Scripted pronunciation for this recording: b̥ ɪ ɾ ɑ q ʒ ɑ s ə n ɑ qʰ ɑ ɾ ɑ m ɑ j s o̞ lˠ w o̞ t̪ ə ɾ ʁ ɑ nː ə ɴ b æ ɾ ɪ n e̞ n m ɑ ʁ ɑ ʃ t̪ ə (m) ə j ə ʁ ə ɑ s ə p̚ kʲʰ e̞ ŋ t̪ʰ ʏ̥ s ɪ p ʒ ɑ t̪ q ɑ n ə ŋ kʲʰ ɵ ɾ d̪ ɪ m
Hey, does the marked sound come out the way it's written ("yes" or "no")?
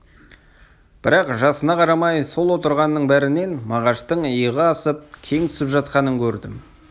no